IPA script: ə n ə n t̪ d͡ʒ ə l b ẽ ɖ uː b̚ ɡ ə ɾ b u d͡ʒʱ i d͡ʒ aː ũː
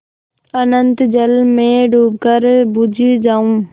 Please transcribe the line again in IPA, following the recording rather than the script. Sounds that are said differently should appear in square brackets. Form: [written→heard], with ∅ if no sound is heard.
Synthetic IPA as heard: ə n ə n t̪ d͡ʒ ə l [b→m] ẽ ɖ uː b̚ [ɡ→k] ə ɾ b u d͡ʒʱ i d͡ʒ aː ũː